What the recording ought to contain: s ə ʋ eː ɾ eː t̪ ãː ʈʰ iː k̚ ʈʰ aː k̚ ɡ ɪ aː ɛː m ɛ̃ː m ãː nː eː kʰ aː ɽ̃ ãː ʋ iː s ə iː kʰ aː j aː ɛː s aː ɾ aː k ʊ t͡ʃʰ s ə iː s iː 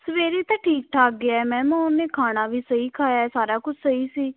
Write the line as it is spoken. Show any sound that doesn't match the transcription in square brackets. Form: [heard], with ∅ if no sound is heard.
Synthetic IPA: s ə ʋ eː ɾ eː t̪ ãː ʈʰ iː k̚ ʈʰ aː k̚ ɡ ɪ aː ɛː m ɛ̃ː m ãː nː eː kʰ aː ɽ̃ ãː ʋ iː s ə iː kʰ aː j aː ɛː s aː ɾ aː k ʊ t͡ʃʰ s ə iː s iː